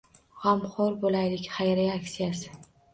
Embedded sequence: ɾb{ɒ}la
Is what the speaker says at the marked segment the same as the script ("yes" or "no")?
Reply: no